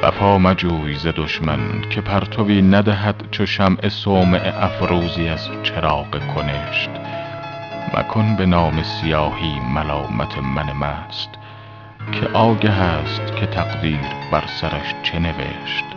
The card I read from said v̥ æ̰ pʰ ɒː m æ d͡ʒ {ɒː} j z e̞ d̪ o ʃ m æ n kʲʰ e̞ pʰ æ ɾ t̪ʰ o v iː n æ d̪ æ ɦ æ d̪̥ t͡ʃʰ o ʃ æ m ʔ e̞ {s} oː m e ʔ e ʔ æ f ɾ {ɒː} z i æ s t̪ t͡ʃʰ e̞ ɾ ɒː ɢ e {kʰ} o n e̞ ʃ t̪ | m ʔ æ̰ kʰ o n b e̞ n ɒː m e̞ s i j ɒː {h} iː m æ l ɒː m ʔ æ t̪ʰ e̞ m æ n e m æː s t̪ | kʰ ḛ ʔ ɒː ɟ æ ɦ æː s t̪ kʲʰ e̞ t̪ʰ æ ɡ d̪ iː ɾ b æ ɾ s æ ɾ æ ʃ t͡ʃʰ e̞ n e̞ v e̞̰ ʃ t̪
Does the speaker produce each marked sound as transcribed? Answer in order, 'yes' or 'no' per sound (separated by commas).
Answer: no, yes, no, yes, yes